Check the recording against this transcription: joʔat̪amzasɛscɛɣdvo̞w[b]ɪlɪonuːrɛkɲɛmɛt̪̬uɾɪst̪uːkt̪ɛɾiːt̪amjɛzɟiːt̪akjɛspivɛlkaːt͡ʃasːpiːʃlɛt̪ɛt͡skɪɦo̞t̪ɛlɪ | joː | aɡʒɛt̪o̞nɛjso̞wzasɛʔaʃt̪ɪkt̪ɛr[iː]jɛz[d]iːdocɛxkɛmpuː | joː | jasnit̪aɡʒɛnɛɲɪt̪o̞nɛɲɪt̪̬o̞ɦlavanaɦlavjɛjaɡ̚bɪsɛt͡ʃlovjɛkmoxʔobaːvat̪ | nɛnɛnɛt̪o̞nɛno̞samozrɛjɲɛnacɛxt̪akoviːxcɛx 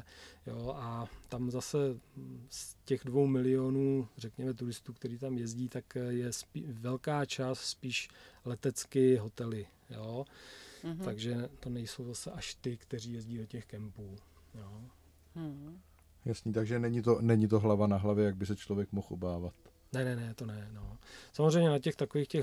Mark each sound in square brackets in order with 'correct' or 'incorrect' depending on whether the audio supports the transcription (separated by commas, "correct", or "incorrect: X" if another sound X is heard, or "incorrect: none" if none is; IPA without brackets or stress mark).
incorrect: m, correct, incorrect: ɟ